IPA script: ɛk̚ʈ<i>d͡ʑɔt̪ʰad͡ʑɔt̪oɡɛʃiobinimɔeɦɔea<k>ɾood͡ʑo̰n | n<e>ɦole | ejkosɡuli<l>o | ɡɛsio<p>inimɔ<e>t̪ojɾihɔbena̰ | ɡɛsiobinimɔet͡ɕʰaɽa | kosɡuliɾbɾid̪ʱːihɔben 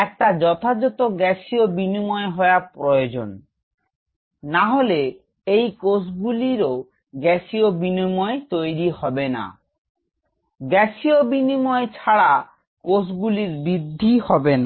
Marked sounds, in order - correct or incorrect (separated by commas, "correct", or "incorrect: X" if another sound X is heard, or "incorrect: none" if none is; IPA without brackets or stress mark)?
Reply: incorrect: a, incorrect: p, incorrect: a, incorrect: ɾ, incorrect: b, correct